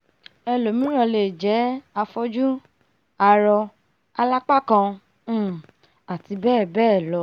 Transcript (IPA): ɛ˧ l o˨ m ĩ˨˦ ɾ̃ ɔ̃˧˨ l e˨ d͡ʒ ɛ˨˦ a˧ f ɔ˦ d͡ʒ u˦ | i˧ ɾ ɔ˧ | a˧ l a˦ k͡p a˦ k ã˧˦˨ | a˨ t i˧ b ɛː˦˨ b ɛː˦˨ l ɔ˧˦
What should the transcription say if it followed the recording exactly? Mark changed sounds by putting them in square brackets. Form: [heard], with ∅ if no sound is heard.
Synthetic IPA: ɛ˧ l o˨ m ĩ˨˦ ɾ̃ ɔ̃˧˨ l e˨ d͡ʒ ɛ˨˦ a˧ f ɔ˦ d͡ʒ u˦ | [a˧] ɾ ɔ˧ | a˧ l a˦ k͡p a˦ k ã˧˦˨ | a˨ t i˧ b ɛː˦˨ b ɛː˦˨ l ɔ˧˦